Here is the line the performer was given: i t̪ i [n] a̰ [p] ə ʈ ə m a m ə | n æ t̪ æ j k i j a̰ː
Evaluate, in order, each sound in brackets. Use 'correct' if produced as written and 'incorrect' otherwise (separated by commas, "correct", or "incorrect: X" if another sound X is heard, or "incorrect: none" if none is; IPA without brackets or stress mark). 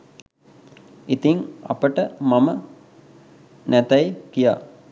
incorrect: ŋ, correct